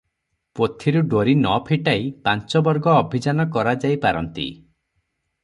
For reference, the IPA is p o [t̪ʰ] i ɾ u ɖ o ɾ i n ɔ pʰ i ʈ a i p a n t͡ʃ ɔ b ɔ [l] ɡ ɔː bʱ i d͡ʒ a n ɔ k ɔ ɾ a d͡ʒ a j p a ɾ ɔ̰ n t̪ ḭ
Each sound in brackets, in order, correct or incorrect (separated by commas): correct, incorrect